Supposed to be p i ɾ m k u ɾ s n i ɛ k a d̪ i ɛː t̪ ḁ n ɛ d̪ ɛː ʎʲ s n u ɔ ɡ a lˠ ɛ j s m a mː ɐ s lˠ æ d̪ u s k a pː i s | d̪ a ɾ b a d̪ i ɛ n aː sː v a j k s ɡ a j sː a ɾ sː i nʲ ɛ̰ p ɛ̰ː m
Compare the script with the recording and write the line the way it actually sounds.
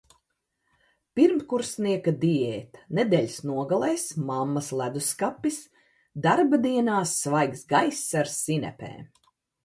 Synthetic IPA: p i ɾ m k u ɾ s n i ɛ k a d̪ i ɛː t̪ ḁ n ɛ d̪ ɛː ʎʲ s n u ɔ ɡ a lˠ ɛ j s m a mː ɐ s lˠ æ d̪ u s k a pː i s | d̪ a ɾ b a d̪ i ɛ n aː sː v a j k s ɡ a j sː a ɾ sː i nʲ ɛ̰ p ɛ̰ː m